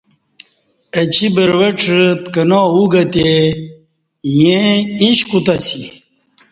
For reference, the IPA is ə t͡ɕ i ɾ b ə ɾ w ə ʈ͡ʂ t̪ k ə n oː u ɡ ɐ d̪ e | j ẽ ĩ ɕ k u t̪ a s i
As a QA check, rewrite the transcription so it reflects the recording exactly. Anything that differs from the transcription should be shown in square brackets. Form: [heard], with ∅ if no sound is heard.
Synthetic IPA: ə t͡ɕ i [∅] b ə ɾ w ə ʈ͡ʂ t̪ k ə n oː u ɡ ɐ [t̪] e | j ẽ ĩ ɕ k u t̪ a s i